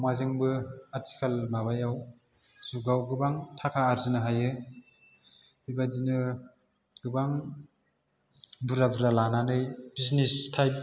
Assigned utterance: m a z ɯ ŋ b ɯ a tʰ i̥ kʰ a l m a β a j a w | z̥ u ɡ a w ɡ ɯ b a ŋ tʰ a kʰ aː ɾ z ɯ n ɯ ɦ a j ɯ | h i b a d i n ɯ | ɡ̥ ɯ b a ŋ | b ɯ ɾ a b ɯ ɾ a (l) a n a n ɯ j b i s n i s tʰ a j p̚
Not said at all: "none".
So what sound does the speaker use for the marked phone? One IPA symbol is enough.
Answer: l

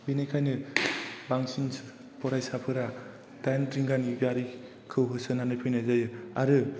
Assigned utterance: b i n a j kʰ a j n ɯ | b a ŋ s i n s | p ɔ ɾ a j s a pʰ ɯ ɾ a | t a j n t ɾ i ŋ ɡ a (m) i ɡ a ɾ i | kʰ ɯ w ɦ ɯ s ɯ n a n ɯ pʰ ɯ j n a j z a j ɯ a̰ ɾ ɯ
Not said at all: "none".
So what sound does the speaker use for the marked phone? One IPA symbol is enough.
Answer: n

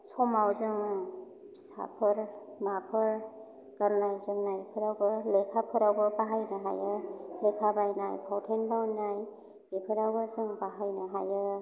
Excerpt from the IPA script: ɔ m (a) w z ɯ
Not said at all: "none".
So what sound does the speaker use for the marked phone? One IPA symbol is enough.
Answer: a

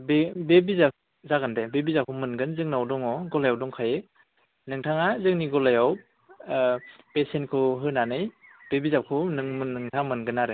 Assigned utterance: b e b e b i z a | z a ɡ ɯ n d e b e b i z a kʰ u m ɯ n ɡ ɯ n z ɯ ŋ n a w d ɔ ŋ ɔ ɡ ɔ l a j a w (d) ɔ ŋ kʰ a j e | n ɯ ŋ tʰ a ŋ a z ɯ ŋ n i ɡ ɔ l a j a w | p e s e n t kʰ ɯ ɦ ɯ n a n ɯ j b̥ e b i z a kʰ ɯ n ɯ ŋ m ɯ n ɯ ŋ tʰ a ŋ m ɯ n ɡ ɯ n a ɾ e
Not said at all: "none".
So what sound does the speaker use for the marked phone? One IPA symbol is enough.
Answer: d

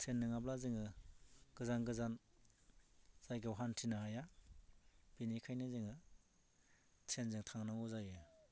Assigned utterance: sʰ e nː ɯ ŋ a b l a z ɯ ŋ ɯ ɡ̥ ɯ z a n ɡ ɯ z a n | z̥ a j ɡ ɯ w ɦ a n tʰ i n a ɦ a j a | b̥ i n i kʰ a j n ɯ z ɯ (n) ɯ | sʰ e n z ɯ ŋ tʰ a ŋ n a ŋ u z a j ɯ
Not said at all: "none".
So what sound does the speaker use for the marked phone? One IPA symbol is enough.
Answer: ŋ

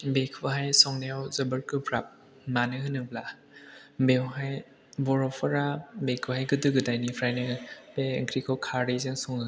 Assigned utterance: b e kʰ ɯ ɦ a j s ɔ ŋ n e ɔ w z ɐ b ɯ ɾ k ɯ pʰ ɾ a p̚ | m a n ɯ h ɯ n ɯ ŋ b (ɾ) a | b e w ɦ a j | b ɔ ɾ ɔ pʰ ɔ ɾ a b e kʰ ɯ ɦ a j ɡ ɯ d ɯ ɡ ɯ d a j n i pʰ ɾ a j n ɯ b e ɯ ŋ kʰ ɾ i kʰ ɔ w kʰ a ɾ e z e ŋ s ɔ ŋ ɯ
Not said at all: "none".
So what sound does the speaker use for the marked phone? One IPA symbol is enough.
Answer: l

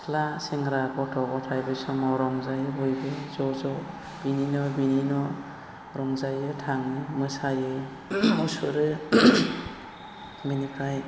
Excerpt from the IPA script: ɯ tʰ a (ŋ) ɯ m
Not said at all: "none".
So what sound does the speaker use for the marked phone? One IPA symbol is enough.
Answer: ŋ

